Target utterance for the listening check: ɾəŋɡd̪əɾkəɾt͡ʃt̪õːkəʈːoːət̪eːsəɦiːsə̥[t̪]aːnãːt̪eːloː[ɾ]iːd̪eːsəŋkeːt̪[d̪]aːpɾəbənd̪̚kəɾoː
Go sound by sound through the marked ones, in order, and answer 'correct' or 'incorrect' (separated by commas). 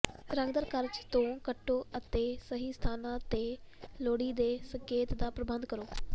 incorrect, incorrect, correct